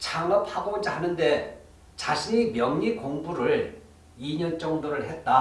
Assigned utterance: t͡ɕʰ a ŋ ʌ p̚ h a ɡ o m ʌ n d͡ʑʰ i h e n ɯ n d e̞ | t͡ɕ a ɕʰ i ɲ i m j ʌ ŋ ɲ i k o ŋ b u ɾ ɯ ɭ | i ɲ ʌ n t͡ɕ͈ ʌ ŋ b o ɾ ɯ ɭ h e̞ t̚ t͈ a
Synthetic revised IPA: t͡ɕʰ a ŋ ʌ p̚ h a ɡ o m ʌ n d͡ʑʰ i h a n ɯ n d e̞ | t͡ɕ a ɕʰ i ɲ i m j ʌ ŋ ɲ i k o ŋ b u ɾ ɯ ɭ | i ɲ ʌ n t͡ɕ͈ ʌ ŋ d o ɾ ɯ ɭ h e̞ t̚ t͈ a